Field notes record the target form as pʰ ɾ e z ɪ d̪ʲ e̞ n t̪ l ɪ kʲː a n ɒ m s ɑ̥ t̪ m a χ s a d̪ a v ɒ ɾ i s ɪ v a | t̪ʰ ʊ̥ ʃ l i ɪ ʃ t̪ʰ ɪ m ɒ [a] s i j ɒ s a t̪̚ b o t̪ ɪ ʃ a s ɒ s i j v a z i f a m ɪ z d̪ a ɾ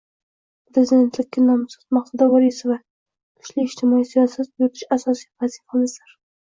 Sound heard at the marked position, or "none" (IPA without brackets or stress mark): i